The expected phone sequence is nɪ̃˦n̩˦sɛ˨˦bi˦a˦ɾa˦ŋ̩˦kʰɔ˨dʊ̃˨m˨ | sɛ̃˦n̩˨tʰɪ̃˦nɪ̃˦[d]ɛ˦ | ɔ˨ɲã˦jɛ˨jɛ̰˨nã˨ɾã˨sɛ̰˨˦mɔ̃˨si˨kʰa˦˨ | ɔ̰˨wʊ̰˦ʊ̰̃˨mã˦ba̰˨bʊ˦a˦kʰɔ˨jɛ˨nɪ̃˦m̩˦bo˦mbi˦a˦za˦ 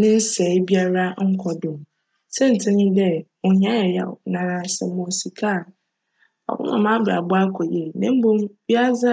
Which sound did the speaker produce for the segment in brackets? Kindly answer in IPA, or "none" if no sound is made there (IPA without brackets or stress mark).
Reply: d